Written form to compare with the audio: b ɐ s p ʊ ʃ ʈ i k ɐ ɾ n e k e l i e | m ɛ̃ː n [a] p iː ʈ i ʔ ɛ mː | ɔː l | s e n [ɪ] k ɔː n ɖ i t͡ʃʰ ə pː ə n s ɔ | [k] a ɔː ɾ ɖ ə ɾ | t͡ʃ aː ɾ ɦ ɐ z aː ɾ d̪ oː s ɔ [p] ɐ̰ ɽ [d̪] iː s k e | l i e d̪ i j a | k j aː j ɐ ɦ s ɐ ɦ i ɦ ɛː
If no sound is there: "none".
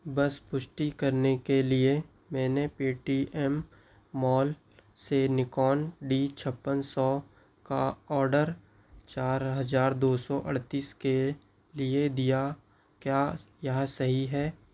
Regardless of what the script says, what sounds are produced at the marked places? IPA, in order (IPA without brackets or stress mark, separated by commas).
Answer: e, ɪ, k, ʔ, t̪